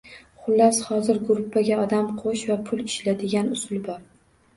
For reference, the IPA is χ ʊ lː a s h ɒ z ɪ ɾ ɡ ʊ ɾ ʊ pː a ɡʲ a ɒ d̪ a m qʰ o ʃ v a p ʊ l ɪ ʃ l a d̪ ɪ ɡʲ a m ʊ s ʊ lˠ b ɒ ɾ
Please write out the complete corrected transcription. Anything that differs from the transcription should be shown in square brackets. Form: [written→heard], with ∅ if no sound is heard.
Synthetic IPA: χ ʊ lː a s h ɒ z ɪ ɾ ɡ ʊ ɾ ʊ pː a ɡʲ a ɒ d̪ a m qʰ o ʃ v a [p→pʰ] ʊ l ɪ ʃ l a d̪ ɪ ɡʲ a [m→n] ʊ s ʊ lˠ b ɒ ɾ